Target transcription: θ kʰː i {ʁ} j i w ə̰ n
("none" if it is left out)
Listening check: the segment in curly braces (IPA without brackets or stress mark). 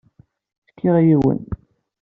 ʁ